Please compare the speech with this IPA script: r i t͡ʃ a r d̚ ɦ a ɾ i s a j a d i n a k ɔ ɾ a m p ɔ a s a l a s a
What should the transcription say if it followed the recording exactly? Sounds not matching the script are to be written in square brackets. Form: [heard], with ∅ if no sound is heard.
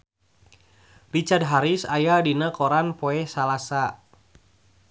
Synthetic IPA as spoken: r i t͡ʃ a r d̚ ɦ a ɾ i s a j a d i n a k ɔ ɾ a [n] p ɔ [ɛ] s a l a s a